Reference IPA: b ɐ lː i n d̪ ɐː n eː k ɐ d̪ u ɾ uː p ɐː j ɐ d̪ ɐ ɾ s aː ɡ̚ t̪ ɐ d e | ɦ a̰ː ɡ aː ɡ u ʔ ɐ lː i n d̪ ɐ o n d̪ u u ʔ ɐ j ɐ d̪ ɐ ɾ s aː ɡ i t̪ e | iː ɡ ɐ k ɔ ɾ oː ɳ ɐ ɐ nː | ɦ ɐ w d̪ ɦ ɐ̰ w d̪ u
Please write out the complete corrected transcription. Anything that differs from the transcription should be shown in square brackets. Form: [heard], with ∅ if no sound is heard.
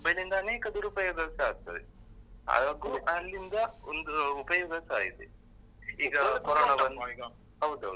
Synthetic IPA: b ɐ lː i n d̪ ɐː n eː k ɐ d̪ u ɾ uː p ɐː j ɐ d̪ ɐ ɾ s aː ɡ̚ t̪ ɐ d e | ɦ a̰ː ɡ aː ɡ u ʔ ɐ lː i n d̪ ɐ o n d̪ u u [p] ɐ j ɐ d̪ ɐ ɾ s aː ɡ i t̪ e | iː ɡ ɐ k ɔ ɾ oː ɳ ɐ ɐ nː | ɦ ɐ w d̪ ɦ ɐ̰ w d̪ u

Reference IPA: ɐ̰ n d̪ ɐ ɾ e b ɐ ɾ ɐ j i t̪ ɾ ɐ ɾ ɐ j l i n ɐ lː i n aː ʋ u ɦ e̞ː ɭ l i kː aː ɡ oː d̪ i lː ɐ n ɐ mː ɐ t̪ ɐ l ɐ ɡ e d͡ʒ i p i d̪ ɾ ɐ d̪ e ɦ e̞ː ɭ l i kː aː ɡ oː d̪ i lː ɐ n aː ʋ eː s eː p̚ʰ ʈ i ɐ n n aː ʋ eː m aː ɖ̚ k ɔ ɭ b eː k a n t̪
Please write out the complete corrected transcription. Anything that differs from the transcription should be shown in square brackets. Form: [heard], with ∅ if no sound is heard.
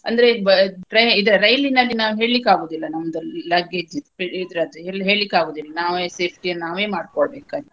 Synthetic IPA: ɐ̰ n d̪ ɐ ɾ e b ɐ ɾ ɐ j i [d̪] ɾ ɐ ɾ ɐ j l i n ɐ lː i n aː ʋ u ɦ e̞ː ɭ l i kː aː ɡ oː d̪ i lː ɐ n ɐ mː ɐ [d̪] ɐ l ɐ ɡ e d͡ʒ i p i d̪ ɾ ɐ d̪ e ɦ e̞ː ɭ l i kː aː ɡ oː d̪ i lː ɐ n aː ʋ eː s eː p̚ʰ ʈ i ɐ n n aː ʋ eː m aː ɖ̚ k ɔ ɭ b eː k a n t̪

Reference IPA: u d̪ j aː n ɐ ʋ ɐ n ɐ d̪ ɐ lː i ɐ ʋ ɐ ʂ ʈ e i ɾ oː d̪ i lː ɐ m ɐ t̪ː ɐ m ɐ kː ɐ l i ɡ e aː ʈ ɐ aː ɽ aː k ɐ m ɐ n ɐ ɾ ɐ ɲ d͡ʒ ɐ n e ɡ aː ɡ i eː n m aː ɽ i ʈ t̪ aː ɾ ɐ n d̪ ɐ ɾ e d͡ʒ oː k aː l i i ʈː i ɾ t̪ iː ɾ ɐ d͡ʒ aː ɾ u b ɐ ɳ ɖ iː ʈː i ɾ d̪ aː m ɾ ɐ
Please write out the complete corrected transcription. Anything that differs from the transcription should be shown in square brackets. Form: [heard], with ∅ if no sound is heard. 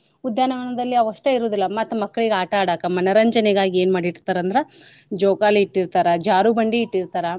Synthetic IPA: u d̪ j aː n ɐ ʋ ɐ n ɐ d̪ ɐ lː i ɐ ʋ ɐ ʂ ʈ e i ɾ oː d̪ i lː ɐ m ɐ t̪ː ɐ m ɐ kː ɐ [ɭ] i ɡ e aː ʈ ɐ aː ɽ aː k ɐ m ɐ n ɐ ɾ ɐ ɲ d͡ʒ ɐ n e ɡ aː ɡ i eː n m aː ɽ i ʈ t̪ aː ɾ ɐ n d̪ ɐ ɾ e d͡ʒ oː k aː l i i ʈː i ɾ t̪ [aː] ɾ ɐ d͡ʒ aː ɾ u b ɐ ɳ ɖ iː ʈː i ɾ [t̪] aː [∅] ɾ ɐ

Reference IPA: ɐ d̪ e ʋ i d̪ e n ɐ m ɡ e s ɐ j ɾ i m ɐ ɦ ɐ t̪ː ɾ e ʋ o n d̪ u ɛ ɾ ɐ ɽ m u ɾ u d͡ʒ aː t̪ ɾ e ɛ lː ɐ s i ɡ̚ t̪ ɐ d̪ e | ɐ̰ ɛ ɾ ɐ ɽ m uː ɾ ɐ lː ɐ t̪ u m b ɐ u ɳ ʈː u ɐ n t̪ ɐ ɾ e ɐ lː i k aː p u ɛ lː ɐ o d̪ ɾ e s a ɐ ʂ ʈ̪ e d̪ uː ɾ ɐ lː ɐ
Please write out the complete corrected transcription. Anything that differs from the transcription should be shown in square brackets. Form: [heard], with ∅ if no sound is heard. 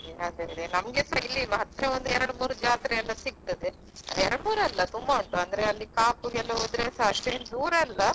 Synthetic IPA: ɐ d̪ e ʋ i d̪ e n ɐ m ɡ e s ɐ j [l] i m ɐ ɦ ɐ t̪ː ɾ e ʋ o n d̪ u ɛ ɾ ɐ ɽ m [uː] ɾ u d͡ʒ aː t̪ ɾ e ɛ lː ɐ s i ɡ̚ t̪ ɐ d̪ e | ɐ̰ ɛ ɾ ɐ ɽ m uː ɾ ɐ lː ɐ t̪ u m b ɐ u ɳ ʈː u ɐ n [d̪] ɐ ɾ e ɐ lː i k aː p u ɛ lː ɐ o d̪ ɾ e s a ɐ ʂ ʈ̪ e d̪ uː ɾ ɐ lː ɐ

